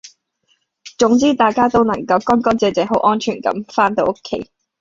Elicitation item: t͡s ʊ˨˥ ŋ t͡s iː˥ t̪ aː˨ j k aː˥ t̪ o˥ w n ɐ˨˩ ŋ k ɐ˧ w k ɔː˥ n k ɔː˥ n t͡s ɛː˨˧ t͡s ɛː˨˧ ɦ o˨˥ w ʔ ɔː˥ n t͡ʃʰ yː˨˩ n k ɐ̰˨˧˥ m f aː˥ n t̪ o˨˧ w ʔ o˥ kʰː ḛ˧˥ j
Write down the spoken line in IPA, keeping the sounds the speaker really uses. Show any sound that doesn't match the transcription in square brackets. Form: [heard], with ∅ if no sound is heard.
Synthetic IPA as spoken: t͡s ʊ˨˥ ŋ t͡s iː˥ t̪ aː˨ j k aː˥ t̪ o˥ w n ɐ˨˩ ŋ k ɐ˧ w k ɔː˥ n k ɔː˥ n t͡s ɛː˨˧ t͡s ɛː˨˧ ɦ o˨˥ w ʔ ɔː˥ n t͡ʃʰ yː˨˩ n k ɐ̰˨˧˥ m f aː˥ n t̪ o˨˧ w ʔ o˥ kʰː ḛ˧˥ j